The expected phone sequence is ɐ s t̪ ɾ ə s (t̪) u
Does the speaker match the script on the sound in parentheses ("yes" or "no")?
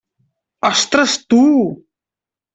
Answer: yes